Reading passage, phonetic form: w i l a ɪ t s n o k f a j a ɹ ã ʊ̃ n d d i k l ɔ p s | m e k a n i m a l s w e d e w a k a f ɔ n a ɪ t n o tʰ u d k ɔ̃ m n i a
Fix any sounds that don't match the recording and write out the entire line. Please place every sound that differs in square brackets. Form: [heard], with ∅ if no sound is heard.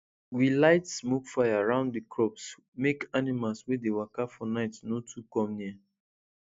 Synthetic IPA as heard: w i l a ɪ t s [m] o k f a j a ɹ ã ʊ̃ n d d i k [ɹ] ɔ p s | m e k a n i m a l s w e d e w a k a f ɔ n a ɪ t n o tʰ u [∅] k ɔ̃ m n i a